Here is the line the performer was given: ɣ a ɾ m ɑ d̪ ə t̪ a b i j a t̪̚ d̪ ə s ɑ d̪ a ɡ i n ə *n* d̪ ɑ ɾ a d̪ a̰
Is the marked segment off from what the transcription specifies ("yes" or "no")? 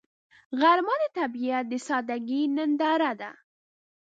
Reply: no